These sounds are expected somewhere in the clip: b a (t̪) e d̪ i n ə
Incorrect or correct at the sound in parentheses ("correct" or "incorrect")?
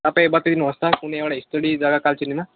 correct